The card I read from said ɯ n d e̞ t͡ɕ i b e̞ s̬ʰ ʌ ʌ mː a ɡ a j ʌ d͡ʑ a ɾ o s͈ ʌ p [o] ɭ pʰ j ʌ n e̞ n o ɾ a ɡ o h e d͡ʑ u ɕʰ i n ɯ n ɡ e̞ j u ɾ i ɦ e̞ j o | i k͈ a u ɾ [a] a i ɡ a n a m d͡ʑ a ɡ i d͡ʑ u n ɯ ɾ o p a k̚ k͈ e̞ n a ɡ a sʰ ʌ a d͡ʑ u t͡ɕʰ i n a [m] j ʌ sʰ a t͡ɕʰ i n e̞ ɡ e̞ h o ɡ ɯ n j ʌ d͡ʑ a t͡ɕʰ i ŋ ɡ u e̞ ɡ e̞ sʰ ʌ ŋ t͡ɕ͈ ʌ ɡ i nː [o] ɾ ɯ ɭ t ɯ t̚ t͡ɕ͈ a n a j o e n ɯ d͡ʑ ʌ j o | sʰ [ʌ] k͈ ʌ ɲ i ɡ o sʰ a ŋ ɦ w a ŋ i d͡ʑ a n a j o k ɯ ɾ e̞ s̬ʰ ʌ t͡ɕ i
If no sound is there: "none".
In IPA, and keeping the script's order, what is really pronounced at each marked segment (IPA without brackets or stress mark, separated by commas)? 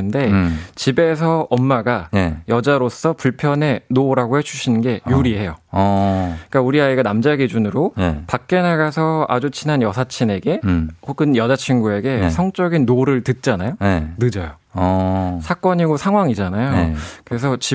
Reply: u, i, n, o, a